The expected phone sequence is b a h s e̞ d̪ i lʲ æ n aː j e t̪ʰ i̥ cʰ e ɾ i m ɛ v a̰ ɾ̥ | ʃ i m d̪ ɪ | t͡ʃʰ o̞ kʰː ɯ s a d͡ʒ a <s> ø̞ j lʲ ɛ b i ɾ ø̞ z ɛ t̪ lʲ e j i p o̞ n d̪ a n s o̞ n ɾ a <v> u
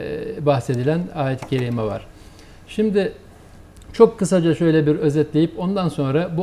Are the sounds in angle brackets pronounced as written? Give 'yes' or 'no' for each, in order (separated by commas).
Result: no, no